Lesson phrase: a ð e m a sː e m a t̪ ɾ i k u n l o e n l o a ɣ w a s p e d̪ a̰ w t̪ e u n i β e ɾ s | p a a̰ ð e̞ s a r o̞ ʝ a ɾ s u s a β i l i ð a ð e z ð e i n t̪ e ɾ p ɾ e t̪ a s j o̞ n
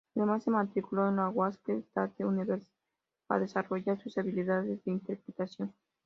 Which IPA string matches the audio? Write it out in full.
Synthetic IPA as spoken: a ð e m a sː e m a t̪ ɾ i k u l o e n l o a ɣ w a s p e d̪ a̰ t̪ e u n i β e ɾ s | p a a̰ ð e̞ s a r o̞ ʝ a ɾ s u s a β i l i ð a ð e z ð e i n t̪ e ɾ p ɾ e t̪ a s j o̞ n